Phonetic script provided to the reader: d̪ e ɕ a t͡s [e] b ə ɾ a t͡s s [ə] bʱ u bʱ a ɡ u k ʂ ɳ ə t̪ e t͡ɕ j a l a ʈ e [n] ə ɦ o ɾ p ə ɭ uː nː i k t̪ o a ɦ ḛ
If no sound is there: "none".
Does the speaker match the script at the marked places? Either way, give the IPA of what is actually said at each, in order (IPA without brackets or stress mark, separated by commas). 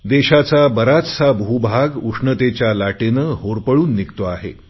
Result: a, a, n